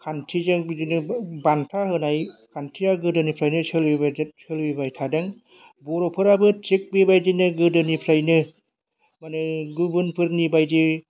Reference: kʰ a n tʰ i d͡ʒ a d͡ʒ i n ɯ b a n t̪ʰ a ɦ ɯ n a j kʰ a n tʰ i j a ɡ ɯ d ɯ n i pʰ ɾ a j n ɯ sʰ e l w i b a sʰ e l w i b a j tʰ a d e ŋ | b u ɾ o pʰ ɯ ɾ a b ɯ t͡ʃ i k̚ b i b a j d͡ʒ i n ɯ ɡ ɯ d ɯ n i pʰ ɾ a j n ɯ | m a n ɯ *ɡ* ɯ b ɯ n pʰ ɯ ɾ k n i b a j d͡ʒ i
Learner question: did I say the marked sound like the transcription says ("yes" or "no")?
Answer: yes